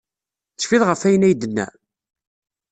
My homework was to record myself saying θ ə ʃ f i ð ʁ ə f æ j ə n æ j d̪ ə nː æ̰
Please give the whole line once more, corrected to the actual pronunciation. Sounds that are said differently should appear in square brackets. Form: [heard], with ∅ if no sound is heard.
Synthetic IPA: θ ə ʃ f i ð ʁ ə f æ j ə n æ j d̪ ə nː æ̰

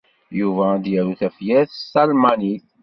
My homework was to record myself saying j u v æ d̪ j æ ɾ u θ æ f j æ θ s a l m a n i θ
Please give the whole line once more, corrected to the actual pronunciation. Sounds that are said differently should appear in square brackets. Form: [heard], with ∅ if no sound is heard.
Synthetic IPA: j u v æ d̪ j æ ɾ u θ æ f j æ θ s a l m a n i θ

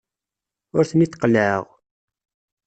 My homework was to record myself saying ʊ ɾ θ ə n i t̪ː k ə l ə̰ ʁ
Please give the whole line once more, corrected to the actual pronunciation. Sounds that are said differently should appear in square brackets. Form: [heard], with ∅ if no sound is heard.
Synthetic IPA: ʊ ɾ θ ə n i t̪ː [q] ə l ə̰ ʁ

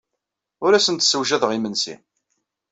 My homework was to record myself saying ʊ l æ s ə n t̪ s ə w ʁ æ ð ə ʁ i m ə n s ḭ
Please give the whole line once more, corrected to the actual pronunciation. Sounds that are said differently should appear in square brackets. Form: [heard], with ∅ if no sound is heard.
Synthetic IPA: ʊ [ɾ] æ s ə n t̪ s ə w [ʒ] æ ð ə ʁ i m ə n s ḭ

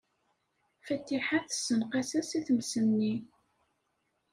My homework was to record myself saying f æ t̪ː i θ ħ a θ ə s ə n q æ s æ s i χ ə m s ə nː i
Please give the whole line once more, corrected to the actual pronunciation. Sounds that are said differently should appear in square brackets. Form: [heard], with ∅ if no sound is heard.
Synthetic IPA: f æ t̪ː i [∅] ħ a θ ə s ə n q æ s æ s i [θ] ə m s ə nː i

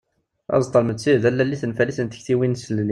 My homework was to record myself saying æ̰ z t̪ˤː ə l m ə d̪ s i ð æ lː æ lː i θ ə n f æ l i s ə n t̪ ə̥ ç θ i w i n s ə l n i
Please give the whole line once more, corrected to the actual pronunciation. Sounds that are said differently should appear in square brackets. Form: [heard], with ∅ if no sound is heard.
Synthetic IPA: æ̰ z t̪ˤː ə l m ə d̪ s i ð æ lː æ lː i θ ə n f æ l i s ə n t̪ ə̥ ç θ i w i n s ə l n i

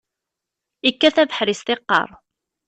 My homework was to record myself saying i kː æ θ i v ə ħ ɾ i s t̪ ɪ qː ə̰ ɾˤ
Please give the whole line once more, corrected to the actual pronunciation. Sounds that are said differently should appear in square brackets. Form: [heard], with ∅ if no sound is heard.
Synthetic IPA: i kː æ θ [æ] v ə ħ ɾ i s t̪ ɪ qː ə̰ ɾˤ

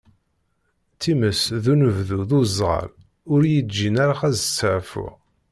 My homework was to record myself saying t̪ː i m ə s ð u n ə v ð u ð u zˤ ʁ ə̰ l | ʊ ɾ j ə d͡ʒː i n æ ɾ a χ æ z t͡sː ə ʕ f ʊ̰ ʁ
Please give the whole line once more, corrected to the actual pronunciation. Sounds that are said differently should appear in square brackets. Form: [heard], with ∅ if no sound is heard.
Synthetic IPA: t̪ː i m ə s ð u n ə v ð u ð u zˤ ʁ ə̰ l | ʊ ɾ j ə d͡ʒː i n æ ɾ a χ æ z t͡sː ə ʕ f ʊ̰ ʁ

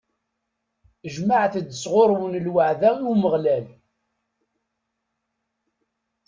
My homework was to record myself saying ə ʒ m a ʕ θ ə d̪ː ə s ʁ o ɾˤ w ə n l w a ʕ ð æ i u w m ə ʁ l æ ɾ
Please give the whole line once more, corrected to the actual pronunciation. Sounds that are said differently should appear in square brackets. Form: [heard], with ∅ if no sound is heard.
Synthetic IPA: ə ʒ m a ʕ θ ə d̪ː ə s ʁ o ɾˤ w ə n l w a ʕ ð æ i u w m ə ʁ l æ [l]

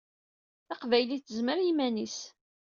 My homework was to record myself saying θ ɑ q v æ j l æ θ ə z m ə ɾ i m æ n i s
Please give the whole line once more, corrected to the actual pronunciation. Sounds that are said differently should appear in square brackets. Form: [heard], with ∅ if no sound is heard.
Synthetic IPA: θ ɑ q v æ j l [i] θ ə z m ə ɾ i m æ n i s

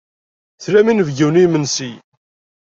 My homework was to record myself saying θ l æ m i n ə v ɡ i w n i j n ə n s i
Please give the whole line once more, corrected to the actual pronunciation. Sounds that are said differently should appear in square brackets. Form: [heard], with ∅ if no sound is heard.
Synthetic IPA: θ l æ m i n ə v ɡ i w n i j [m] ə n s i

